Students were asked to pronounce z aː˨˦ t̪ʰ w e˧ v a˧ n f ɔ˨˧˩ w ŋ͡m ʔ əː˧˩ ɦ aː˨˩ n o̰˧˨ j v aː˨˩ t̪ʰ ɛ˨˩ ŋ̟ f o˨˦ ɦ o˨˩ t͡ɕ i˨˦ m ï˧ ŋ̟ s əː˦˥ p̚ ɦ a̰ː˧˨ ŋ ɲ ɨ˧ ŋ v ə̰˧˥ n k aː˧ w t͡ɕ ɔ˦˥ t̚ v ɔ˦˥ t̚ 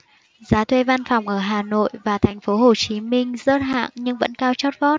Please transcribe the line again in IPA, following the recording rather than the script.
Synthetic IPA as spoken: z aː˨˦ t̪ʰ w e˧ v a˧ n f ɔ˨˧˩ w ŋ͡m ʔ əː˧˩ ɦ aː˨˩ n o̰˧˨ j v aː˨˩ t̪ʰ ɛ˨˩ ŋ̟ f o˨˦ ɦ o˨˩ t͡ɕ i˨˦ m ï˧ ŋ̟ z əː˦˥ t̚ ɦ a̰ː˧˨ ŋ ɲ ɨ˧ ŋ v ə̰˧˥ n k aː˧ w t͡ɕ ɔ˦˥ t̚ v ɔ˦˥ t̚